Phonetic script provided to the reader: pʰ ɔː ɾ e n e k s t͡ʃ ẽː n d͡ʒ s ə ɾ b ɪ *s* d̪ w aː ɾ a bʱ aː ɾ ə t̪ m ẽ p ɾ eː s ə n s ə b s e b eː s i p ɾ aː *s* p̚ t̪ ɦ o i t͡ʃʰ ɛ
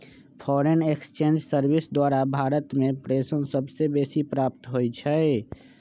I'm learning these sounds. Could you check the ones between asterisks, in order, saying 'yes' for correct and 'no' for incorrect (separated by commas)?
yes, no